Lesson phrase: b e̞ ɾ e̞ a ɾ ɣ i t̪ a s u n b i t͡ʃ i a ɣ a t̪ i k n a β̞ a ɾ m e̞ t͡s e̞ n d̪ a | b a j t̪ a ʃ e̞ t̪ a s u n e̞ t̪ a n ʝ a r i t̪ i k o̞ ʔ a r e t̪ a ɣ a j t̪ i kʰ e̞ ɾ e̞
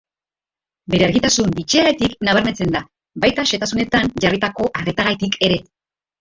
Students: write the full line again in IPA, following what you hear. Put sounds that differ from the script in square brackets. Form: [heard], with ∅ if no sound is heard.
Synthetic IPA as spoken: b e̞ ɾ e̞ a ɾ ɣ i t̪ a s u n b i t͡ʃ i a ɣ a t̪ i k n a β̞ a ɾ m e̞ t͡s e̞ n d̪ a | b a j t̪ a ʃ e̞ t̪ a s u n e̞ t̪ a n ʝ a r i t̪ [a] k o̞ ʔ a r e t̪ a ɣ a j t̪ i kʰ e̞ ɾ e̞